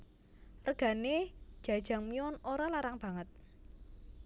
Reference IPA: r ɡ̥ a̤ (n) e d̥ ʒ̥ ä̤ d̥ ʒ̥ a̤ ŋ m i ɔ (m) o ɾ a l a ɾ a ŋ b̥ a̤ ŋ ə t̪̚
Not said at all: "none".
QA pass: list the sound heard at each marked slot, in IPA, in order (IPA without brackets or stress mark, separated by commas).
n, n